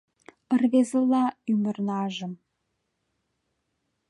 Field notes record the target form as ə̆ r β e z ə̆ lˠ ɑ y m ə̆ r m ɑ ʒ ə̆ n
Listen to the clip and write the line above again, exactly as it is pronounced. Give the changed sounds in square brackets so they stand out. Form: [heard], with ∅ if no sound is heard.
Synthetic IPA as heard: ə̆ r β e z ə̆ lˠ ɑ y m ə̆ r [n] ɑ ʒ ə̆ [m]